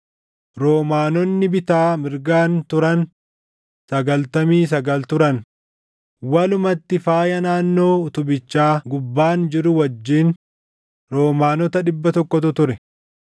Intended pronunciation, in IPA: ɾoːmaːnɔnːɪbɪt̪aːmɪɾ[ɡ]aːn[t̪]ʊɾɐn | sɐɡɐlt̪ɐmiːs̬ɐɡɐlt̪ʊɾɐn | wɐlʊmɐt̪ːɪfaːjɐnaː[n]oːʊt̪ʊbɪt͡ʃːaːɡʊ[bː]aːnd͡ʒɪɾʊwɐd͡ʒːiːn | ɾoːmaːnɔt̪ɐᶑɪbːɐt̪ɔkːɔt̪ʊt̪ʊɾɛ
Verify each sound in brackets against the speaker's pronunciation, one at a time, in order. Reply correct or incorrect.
correct, correct, incorrect, correct

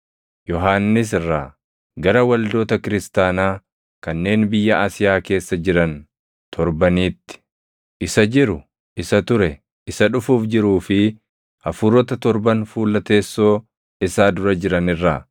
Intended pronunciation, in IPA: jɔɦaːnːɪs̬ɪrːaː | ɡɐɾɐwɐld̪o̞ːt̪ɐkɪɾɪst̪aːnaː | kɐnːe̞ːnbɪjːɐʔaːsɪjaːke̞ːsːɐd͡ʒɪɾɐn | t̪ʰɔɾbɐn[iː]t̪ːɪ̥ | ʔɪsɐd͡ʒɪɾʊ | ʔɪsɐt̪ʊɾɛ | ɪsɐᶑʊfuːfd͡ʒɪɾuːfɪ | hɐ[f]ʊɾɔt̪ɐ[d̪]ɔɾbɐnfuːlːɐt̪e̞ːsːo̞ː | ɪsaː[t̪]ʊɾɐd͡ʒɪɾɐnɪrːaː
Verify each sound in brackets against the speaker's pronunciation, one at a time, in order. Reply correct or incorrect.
correct, correct, incorrect, incorrect

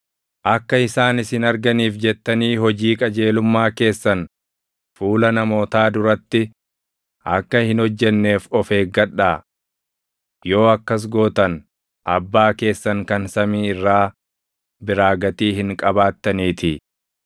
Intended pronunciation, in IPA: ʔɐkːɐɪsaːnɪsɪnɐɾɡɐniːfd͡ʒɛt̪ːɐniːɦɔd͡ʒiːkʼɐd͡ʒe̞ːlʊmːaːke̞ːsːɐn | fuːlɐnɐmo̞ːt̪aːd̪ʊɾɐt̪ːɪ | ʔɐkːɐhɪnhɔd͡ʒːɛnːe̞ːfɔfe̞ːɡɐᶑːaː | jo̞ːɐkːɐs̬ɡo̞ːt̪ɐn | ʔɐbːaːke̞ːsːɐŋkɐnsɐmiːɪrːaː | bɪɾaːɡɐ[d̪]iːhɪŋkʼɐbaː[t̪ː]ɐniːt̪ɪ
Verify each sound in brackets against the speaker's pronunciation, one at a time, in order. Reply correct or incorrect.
incorrect, correct

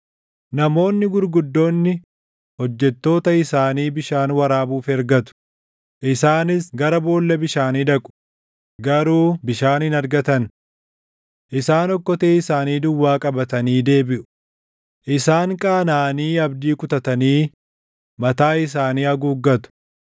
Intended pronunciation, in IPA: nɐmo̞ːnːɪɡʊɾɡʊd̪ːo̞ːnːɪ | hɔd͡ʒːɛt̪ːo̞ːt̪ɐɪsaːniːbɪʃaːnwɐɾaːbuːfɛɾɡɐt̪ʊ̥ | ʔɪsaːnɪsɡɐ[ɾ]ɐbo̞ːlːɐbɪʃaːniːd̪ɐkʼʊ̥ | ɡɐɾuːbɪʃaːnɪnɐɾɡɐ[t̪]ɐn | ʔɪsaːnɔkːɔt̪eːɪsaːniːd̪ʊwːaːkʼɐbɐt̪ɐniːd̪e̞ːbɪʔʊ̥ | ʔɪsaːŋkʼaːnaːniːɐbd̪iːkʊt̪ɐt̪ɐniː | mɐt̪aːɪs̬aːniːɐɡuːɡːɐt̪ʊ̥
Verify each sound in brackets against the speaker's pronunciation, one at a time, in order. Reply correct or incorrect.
correct, correct

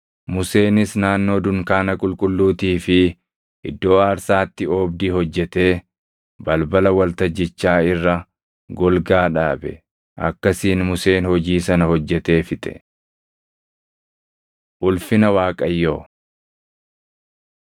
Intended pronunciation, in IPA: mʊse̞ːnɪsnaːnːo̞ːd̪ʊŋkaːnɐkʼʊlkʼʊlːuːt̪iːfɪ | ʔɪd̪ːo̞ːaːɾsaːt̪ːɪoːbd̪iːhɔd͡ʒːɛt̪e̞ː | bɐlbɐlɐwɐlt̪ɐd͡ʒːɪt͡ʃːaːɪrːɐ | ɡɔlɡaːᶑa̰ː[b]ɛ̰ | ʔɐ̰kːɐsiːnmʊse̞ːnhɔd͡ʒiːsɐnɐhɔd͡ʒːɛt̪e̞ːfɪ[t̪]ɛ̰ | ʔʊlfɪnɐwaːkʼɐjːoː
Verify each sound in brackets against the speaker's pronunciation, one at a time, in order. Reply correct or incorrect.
correct, incorrect

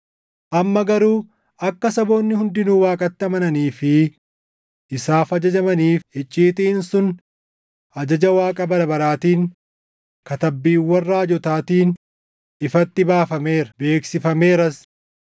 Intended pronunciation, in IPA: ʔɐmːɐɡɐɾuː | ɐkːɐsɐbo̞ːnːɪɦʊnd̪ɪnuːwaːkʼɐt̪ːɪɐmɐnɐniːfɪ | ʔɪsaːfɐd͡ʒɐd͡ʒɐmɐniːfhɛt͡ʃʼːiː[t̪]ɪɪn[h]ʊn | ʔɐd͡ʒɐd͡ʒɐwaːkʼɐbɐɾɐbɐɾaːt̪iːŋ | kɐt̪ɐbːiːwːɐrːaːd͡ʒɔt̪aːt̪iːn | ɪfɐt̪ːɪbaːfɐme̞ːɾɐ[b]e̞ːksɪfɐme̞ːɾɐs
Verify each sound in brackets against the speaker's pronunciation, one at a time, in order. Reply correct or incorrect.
correct, incorrect, correct

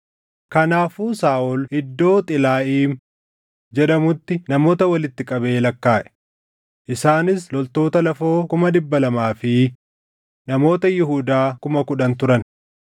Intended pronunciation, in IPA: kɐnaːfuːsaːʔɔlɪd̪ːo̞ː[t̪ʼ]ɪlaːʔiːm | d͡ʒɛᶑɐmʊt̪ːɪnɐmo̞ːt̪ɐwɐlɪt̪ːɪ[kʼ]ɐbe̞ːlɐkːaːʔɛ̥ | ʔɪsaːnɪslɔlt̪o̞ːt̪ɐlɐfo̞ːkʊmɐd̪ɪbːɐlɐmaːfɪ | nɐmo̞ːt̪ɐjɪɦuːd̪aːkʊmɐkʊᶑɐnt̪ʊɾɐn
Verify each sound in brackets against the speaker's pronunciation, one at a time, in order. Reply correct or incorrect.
correct, correct

